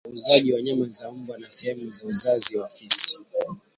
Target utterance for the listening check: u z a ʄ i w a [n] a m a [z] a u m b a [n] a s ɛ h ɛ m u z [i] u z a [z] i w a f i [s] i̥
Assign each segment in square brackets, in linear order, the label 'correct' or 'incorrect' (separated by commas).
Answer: incorrect, correct, correct, incorrect, correct, correct